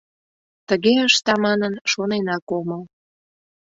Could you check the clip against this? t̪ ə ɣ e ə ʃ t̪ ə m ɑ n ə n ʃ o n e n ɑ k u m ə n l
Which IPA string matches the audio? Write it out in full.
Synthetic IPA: t̪ ə ɣ e ə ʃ t̪ ɑ m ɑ n ə n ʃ o n e n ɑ k o m ə l